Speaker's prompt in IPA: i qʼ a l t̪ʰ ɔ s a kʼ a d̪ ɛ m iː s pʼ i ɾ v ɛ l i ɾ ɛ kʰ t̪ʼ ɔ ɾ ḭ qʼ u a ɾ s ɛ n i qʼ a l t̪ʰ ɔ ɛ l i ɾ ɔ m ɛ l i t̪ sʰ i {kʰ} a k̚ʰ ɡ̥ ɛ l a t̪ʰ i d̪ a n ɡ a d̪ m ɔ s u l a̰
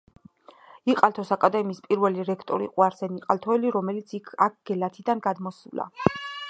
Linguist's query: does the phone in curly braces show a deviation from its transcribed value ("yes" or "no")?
no